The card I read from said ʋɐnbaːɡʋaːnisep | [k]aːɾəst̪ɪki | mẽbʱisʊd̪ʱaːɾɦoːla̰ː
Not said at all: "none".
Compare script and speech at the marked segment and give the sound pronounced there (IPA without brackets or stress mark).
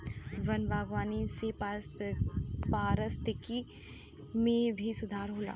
p